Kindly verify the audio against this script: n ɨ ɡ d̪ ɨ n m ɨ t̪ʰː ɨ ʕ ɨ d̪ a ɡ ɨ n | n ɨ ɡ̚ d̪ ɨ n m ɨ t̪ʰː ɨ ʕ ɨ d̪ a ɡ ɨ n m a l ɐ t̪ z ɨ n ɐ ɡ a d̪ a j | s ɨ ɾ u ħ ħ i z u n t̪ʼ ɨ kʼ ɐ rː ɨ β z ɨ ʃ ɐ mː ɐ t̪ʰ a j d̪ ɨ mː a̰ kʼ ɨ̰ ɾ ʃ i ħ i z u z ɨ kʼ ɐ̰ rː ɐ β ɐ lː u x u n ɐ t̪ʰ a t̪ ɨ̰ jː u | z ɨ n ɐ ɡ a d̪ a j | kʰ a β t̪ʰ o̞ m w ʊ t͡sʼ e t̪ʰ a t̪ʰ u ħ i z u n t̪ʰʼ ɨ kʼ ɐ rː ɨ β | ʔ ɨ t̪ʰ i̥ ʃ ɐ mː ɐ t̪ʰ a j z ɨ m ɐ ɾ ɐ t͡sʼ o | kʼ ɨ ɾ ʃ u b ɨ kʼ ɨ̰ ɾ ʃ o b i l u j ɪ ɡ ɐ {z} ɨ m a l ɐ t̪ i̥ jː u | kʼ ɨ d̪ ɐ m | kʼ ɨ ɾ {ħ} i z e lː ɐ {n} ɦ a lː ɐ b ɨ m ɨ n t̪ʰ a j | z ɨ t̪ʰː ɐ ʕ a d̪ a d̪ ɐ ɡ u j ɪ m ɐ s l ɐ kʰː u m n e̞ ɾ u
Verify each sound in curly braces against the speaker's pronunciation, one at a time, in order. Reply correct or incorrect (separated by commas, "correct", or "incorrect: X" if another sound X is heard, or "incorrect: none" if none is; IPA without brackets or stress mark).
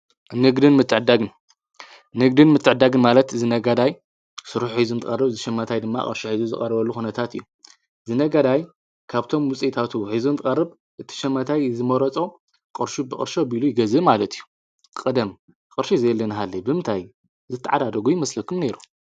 correct, incorrect: ʃ, correct